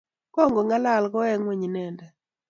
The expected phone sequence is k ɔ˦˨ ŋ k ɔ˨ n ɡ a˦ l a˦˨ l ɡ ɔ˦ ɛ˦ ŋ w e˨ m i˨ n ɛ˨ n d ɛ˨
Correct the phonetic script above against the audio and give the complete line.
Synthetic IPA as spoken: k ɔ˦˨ ŋ ɡ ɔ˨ ŋ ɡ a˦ l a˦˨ l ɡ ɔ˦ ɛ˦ ŋ w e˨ ɲ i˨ n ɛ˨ n d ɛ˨